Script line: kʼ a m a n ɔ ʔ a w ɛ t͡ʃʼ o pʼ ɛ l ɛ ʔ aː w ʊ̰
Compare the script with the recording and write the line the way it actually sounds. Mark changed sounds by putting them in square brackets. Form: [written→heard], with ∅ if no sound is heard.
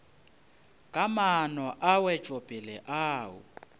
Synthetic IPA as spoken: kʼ a m a n ɔ ʔ a w ɛ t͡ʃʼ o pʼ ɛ l ɛ ʔ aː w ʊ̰